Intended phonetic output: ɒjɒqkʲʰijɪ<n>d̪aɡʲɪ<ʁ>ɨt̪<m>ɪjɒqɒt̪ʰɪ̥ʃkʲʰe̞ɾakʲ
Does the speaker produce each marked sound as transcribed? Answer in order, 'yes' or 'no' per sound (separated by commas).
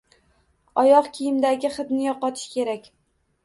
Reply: no, no, no